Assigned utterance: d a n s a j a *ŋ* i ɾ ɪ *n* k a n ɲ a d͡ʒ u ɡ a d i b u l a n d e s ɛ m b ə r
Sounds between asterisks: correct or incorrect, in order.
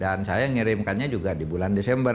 correct, incorrect: m

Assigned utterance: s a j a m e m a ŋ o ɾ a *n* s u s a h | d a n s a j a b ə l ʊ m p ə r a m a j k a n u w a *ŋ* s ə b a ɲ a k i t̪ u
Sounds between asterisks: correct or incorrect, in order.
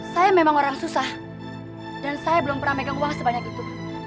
incorrect: ŋ, correct

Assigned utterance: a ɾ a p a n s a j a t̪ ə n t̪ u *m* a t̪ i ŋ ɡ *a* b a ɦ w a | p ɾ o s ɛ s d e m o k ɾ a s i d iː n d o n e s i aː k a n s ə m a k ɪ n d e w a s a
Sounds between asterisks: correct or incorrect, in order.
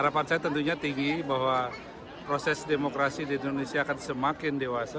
incorrect: ɲ, incorrect: i

